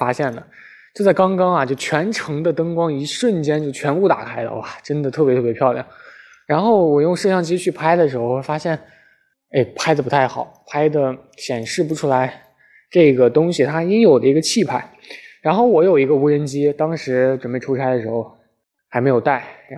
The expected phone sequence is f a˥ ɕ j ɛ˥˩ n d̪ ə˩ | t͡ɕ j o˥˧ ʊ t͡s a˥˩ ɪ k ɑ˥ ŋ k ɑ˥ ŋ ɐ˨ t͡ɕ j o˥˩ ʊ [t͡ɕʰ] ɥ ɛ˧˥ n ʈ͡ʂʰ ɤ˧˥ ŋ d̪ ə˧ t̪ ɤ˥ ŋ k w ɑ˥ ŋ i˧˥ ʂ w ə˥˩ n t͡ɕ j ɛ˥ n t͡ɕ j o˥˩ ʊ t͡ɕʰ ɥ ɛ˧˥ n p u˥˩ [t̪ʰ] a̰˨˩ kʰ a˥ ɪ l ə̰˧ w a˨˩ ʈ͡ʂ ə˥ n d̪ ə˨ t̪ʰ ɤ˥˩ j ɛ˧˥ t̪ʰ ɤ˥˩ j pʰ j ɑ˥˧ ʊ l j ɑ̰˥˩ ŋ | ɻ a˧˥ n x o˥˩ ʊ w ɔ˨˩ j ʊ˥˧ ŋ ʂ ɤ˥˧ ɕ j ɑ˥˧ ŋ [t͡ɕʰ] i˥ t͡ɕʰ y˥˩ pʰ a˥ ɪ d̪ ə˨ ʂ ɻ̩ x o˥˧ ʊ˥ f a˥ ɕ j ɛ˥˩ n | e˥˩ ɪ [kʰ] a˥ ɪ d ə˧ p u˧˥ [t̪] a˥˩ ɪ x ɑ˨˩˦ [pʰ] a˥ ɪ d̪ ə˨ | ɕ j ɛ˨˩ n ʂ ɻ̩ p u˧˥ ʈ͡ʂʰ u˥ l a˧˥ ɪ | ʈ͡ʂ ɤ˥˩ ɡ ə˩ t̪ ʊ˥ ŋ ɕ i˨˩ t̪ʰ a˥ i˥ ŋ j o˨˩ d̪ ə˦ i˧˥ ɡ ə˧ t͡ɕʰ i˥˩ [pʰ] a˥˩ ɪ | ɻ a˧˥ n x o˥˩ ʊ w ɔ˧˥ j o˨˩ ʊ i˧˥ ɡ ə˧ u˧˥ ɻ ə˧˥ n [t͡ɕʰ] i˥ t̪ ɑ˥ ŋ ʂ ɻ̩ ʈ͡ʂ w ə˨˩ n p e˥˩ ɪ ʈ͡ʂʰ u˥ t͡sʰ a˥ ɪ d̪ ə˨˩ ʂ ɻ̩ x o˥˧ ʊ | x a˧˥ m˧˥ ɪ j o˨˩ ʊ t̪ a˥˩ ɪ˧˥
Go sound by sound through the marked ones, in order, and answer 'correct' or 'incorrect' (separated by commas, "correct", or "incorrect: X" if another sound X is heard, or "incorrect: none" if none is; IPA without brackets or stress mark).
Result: correct, incorrect: t̪, incorrect: t͡ɕ, incorrect: pʰ, incorrect: t̪ʰ, correct, correct, incorrect: t͡ɕ